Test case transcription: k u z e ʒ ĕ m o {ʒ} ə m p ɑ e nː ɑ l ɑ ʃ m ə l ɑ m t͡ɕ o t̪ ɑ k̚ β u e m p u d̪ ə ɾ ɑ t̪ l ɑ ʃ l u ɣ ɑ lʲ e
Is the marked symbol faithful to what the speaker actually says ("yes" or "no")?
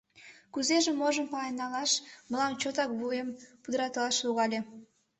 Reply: yes